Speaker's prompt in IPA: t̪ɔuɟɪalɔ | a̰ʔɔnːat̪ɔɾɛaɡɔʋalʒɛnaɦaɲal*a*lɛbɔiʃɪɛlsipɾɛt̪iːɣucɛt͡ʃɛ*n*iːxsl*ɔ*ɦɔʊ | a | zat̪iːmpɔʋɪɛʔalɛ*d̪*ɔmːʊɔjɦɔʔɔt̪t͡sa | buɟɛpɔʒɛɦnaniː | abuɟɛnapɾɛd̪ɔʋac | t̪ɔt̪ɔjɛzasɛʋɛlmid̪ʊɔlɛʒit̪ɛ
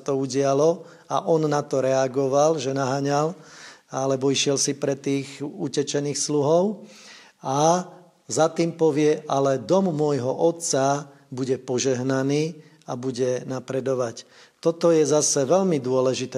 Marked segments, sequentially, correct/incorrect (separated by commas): correct, correct, incorrect, correct